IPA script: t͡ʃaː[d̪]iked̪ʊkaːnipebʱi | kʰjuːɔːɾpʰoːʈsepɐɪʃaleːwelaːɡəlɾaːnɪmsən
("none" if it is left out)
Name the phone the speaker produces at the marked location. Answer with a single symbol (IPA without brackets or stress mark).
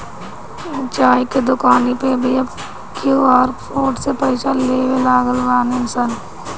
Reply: none